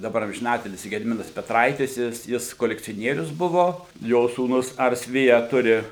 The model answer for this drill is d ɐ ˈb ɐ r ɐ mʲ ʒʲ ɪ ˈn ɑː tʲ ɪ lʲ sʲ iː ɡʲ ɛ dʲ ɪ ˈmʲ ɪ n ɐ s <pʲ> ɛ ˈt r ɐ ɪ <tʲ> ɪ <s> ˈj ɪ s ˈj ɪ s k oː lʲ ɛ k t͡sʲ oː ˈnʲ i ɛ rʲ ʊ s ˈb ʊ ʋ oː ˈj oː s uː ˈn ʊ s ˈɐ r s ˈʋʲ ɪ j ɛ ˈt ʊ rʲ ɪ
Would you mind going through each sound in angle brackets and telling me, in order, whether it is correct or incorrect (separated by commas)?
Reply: correct, correct, correct